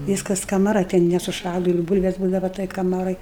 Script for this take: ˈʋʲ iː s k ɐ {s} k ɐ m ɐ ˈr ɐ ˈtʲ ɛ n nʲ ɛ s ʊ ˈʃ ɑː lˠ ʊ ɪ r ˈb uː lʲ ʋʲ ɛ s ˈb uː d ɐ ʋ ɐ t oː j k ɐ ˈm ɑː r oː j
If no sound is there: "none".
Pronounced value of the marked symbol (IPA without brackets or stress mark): s